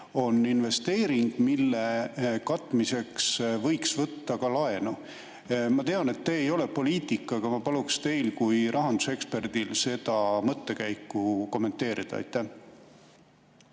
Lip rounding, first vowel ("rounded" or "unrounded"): rounded